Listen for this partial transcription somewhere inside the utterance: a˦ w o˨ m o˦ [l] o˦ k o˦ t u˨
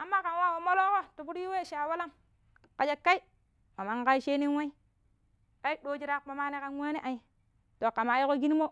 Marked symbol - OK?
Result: yes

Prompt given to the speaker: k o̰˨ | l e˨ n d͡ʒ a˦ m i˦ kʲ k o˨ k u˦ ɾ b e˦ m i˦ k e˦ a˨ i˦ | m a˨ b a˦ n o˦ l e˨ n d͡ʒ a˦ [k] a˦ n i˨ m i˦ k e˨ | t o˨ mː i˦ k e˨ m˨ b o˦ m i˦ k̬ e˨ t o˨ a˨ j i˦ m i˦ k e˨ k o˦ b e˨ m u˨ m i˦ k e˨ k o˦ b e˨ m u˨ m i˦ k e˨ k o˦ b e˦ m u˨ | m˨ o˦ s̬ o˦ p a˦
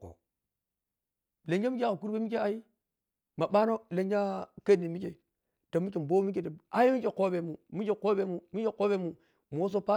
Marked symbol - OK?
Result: yes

